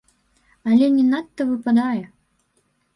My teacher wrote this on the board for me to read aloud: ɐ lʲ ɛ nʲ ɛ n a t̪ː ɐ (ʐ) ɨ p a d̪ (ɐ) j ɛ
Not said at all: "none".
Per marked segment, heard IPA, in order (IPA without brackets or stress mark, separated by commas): v, a